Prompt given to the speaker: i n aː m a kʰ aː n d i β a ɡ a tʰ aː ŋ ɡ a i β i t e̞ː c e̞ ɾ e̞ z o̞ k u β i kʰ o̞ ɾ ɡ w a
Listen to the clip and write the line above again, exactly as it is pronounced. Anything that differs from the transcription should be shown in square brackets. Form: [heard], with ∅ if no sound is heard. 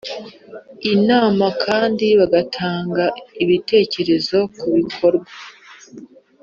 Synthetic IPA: i n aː m a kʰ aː n d i β a ɡ a tʰ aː ŋ ɡ a i β i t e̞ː c e̞ ɾ e̞ z o̞ k u β i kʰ o̞ ɾ ɡ w a